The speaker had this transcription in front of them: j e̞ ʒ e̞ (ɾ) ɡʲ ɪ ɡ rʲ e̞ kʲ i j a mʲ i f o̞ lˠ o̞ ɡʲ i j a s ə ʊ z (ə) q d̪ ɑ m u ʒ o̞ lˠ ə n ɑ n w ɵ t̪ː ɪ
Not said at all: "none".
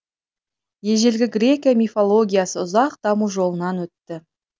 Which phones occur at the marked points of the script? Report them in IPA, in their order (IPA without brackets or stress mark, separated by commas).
l, ɑ